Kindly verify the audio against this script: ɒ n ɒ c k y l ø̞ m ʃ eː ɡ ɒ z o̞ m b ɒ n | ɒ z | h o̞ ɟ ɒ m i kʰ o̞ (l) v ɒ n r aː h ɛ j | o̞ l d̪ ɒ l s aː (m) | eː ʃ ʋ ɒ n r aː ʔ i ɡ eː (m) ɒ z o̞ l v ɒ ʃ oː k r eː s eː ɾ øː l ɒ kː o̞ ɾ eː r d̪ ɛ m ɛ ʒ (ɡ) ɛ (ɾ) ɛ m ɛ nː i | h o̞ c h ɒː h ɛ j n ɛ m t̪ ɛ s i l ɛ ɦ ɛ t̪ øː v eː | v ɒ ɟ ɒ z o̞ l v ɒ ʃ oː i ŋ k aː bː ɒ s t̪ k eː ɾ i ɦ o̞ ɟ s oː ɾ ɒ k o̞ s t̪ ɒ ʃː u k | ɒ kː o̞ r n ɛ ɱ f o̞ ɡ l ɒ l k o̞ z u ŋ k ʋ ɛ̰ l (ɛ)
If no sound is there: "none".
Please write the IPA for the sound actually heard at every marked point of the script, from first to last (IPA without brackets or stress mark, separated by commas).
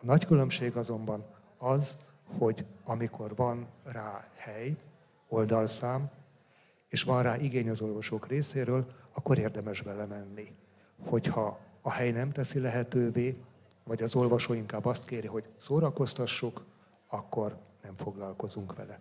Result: r, m, ɲ, b, l, ɛ